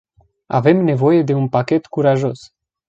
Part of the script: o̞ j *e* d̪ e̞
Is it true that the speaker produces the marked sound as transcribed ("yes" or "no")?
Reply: yes